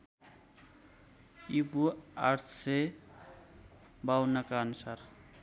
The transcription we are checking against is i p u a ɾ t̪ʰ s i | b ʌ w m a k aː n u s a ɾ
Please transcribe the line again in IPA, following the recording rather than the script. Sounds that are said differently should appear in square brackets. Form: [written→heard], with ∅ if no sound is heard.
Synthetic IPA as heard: i [p→b] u a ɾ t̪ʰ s [i→e] | b [ʌ→a] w [m→n] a k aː n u s a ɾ